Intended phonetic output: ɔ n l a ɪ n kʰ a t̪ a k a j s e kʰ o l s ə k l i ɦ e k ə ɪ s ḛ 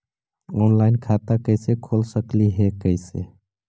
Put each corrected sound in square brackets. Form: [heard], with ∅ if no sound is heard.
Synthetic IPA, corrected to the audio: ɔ n l a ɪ n kʰ a t̪ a k [ə] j s e kʰ o l s ə k l i ɦ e k ə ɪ s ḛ